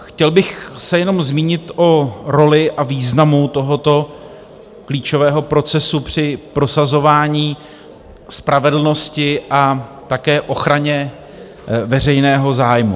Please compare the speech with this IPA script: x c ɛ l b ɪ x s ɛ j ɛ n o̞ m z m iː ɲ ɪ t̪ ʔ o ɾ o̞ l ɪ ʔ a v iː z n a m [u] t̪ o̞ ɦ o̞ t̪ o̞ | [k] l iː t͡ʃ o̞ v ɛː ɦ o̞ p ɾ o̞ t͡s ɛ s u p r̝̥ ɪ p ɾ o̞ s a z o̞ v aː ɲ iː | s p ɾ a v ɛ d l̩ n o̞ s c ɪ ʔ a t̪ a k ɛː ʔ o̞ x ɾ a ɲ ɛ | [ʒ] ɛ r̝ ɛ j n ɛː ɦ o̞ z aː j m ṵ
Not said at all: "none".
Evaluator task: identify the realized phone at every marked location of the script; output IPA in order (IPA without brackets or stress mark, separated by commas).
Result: u, k, v